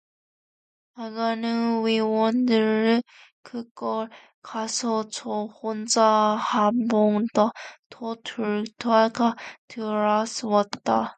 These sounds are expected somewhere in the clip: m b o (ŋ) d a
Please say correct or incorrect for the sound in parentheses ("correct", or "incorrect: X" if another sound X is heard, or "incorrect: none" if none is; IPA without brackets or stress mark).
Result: correct